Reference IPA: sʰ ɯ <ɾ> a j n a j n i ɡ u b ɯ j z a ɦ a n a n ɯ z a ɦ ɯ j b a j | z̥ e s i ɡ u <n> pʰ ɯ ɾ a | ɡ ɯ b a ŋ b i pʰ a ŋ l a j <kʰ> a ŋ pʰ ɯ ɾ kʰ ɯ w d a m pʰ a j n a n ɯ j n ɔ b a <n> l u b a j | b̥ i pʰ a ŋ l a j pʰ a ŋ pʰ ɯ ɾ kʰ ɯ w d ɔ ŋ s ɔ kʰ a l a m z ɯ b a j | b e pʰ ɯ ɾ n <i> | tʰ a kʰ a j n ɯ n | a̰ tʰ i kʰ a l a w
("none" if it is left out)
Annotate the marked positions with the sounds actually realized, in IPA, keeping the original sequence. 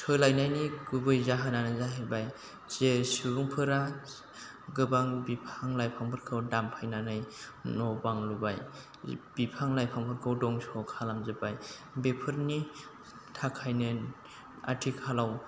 l, ŋ, pʰ, ŋ, i

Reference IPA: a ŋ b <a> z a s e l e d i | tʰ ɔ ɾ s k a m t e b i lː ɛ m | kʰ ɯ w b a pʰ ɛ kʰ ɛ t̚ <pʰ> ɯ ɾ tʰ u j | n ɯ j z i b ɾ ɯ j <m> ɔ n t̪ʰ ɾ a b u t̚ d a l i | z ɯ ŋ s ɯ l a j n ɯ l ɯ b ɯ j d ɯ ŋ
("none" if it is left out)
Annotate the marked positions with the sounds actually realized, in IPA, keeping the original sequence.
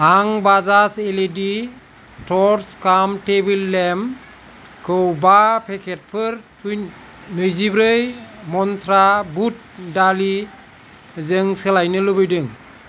a, pʰ, m

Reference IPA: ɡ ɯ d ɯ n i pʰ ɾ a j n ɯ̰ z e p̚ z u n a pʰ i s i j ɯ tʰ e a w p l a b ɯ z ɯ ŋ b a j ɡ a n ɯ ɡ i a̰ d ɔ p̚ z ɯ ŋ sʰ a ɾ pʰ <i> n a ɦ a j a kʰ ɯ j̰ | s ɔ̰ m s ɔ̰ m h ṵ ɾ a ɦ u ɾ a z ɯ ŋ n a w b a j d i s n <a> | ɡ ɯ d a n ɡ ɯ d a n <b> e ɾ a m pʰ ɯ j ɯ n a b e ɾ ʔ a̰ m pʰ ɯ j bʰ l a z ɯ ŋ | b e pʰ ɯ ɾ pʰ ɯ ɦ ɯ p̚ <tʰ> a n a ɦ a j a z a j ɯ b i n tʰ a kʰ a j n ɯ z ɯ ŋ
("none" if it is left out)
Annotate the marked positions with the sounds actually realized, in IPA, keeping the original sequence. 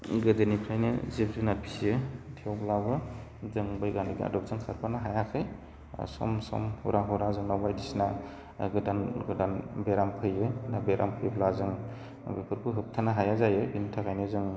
a, a, b, tʰ

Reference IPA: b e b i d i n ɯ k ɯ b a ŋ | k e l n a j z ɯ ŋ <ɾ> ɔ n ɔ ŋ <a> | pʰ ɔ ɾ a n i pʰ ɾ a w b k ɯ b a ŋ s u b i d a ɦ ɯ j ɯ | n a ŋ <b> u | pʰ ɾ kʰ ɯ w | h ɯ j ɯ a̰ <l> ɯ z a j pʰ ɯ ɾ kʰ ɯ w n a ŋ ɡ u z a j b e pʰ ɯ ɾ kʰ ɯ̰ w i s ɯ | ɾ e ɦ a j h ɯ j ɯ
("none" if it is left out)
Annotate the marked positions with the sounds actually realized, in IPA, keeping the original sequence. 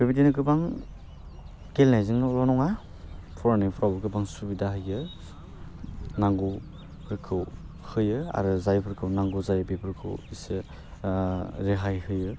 l, a, ɡ, ɾ

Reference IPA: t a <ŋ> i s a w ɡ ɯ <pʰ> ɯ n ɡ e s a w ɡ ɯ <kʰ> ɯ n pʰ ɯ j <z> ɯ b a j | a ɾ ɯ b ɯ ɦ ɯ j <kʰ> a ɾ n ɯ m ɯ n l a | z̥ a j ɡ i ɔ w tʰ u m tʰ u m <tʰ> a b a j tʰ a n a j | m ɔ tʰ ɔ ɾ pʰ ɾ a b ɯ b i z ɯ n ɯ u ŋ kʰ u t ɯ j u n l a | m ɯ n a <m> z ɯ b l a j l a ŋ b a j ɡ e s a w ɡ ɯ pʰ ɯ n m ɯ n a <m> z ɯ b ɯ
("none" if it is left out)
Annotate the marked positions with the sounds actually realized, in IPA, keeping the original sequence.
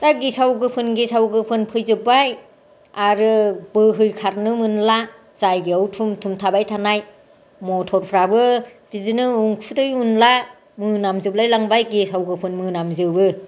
ɡ, pʰ, pʰ, z, kʰ, tʰ, m, m

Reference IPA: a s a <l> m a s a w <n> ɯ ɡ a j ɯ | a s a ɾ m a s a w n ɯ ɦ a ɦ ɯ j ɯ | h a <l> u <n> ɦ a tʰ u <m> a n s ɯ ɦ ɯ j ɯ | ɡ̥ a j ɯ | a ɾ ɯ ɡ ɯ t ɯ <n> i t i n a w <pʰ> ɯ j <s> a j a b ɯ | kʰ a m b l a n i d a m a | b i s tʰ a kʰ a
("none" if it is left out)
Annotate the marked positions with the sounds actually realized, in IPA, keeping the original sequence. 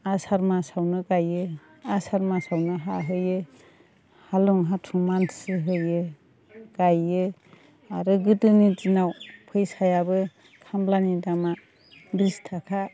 ɾ, n, l, ŋ, m, n, pʰ, s

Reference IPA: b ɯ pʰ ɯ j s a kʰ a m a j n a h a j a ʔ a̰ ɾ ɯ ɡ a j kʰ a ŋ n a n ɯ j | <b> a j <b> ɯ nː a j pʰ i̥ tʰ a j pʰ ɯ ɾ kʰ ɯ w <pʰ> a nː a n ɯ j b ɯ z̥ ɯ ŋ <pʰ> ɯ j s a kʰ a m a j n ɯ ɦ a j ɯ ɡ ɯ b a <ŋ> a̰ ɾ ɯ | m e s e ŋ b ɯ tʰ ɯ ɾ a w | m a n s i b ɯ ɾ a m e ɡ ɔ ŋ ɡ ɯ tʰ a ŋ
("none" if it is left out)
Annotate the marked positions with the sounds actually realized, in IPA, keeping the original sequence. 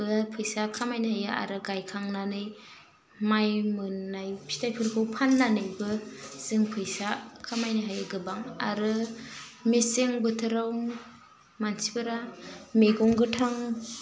m, m, pʰ, pʰ, ŋ

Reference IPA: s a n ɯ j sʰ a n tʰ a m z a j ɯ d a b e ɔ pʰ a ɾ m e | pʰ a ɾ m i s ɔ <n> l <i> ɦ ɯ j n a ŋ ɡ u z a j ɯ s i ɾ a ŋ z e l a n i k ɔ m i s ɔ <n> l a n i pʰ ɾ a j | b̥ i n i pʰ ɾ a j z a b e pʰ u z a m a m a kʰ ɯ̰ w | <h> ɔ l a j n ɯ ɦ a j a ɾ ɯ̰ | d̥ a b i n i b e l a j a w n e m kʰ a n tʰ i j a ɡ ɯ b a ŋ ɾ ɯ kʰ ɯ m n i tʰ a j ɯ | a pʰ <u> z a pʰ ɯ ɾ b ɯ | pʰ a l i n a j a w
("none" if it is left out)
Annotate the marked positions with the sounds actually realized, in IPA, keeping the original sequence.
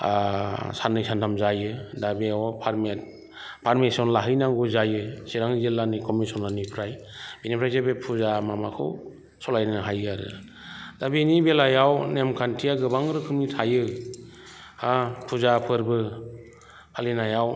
n, a, n, s, u

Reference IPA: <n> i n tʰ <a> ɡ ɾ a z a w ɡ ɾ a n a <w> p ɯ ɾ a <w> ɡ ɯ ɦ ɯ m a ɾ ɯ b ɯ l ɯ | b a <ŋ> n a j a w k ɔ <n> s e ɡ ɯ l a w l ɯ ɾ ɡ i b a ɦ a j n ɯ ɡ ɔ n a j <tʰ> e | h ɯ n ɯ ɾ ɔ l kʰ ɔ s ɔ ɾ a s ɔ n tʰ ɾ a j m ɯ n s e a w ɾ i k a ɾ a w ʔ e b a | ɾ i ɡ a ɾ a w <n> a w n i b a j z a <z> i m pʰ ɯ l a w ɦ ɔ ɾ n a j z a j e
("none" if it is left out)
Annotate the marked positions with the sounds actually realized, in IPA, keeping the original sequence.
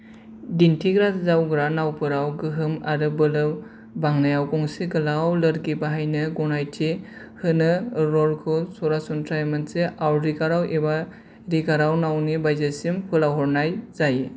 d, i, w, w, ŋ, ŋ, tʰ, n, s

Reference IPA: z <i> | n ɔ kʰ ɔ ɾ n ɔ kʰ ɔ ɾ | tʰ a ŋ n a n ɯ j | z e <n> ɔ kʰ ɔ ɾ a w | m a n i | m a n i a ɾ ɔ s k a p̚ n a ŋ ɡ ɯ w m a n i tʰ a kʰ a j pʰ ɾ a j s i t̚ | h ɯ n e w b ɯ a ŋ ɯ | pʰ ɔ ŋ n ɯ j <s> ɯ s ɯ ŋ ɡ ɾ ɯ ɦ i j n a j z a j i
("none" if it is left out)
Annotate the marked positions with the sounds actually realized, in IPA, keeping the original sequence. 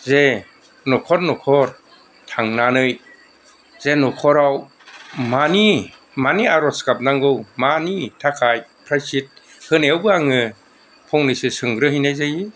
e, n, s

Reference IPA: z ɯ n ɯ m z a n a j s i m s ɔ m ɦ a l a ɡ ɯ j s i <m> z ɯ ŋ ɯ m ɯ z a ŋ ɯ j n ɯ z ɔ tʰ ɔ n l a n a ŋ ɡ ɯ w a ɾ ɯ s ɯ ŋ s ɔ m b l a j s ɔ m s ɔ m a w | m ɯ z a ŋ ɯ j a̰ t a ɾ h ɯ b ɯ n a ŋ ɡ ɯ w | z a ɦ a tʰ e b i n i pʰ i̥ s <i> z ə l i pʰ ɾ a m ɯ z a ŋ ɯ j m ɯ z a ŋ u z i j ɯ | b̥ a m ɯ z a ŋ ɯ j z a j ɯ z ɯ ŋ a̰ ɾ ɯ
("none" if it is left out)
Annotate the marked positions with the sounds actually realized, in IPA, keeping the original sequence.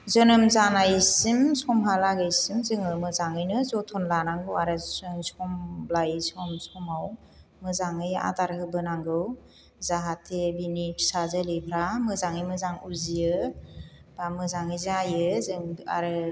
m, a

